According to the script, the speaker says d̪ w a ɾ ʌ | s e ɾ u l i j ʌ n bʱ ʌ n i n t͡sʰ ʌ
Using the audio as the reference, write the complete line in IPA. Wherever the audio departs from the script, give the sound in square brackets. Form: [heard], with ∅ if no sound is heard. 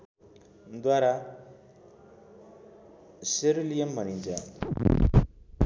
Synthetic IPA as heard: d̪ w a ɾ [a] | s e ɾ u l i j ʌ [m] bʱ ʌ n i n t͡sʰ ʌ